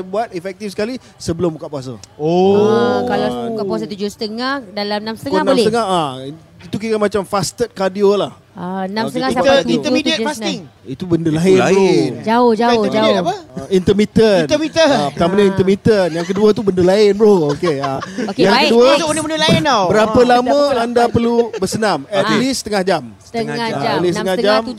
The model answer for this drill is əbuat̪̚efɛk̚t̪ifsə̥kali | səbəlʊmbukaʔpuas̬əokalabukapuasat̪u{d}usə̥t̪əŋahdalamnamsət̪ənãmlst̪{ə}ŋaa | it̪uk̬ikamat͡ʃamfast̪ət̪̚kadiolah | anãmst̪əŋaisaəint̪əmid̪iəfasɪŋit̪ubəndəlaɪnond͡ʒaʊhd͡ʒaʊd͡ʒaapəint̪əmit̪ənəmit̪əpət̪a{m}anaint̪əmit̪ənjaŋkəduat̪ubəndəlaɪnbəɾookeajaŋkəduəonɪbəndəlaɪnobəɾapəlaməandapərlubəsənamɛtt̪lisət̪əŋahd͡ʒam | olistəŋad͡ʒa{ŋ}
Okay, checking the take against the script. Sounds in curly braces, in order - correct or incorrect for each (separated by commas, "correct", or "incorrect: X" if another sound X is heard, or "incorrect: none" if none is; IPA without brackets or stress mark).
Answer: incorrect: d͡ʒ, correct, correct, incorrect: m